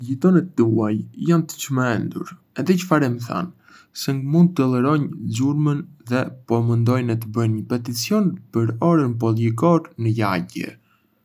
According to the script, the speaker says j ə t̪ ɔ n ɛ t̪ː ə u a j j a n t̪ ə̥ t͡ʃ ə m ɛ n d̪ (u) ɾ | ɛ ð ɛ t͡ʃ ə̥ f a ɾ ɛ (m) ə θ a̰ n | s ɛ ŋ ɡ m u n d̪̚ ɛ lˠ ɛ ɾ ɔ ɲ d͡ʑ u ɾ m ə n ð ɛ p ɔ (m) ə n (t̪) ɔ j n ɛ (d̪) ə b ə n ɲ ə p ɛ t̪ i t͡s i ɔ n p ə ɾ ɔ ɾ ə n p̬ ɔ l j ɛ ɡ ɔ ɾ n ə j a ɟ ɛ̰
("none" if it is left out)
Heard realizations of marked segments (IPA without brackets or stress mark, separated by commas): u, m, m, d̪, t̪